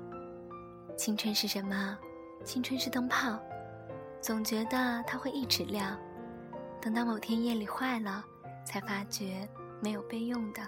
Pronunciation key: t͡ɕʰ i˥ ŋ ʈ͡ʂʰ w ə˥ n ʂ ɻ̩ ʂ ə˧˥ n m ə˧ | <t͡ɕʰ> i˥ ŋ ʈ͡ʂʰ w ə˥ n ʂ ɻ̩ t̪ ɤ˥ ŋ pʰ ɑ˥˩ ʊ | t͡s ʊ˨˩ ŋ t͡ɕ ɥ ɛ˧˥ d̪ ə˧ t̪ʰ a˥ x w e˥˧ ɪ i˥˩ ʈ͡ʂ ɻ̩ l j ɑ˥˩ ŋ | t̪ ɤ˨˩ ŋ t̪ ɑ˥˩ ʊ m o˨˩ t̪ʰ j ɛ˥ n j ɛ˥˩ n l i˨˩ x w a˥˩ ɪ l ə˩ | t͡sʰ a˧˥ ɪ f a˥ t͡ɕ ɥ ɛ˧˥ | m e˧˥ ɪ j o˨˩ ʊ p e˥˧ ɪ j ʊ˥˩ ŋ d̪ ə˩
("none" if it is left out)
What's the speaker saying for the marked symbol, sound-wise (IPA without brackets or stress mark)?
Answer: t͡ɕʰ